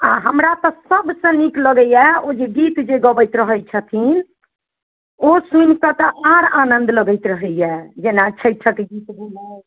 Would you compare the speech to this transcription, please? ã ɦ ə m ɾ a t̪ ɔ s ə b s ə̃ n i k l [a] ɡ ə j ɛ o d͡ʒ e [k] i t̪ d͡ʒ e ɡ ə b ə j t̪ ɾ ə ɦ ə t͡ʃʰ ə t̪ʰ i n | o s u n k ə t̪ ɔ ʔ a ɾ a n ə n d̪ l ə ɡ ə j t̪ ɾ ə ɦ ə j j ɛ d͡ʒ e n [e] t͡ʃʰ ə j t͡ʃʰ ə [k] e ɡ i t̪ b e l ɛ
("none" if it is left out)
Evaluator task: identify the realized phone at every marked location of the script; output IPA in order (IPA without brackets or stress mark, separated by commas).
ə, ɡ, a, k